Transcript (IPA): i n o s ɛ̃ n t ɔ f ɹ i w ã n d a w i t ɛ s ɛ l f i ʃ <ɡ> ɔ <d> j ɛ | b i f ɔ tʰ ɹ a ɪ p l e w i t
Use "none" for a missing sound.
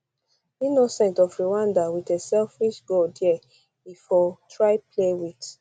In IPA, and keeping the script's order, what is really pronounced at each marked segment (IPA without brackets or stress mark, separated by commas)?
ɡ, d